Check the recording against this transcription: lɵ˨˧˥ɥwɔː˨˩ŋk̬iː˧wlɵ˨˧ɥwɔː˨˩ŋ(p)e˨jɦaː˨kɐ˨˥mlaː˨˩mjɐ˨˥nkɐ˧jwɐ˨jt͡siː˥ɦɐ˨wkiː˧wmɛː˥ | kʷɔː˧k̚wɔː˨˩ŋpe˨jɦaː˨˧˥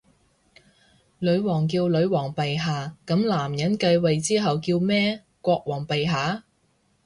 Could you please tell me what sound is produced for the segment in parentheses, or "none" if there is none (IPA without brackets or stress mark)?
p